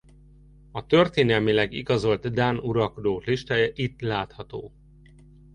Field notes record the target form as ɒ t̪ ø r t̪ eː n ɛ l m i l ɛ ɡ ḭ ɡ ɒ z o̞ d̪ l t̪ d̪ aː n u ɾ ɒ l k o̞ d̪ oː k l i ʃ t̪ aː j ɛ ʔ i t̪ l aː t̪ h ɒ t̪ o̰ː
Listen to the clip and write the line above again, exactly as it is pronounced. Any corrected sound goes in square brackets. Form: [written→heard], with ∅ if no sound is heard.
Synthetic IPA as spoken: ɒ t̪ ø r t̪ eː n ɛ l m i l ɛ ɡ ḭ ɡ ɒ z o̞ [d̪→∅] l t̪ d̪ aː n u ɾ ɒ l k o̞ d̪ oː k l i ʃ t̪ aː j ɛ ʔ i t̪ l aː t̪ h ɒ t̪ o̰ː